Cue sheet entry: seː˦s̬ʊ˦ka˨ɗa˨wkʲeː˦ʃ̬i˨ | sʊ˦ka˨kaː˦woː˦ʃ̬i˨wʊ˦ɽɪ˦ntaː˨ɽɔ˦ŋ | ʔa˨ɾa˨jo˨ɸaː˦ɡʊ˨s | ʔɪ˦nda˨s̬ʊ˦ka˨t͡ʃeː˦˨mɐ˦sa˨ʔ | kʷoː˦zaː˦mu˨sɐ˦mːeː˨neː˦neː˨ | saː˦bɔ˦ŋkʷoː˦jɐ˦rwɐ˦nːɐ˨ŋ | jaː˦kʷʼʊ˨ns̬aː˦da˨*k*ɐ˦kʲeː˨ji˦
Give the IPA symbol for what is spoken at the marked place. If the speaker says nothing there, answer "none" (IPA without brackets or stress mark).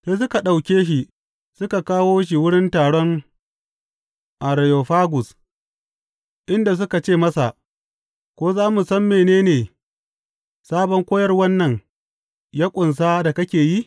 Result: k